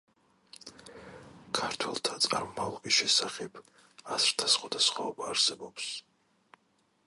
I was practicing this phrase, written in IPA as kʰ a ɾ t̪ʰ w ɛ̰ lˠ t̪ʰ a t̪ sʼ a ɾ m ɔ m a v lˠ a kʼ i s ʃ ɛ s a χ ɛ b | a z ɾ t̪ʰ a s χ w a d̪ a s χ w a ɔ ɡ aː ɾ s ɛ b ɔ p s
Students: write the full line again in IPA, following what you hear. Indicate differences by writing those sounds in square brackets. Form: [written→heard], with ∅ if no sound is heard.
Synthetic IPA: kʰ a ɾ t̪ʰ w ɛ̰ lˠ t̪ʰ a t̪ sʼ a ɾ m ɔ m a v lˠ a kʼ i s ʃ ɛ s a χ ɛ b | a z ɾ t̪ʰ a s χ w a d̪ a s χ w a ɔ [ɡ→b] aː ɾ s ɛ b ɔ p s